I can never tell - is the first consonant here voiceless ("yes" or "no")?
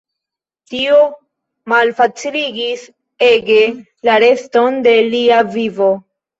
yes